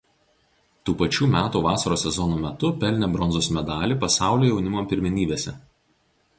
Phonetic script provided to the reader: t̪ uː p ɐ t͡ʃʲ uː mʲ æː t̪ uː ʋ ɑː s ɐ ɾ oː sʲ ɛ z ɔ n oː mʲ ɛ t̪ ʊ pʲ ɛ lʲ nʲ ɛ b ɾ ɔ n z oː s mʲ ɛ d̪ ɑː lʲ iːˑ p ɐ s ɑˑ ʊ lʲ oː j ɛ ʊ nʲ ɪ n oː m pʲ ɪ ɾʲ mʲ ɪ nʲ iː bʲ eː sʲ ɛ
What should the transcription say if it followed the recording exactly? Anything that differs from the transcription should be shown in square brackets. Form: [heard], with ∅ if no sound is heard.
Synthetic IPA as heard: t̪ uː p ɐ t͡ʃʲ uː mʲ æː t̪ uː ʋ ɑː s ɐ ɾ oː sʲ ɛ z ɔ n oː mʲ ɛ t̪ ʊ pʲ ɛ lʲ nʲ ɛ b ɾ ɔ n z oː s mʲ ɛ d̪ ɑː lʲ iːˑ p ɐ s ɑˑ ʊ lʲ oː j ɛ ʊ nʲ ɪ [m] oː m pʲ ɪ ɾʲ mʲ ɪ nʲ iː bʲ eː sʲ ɛ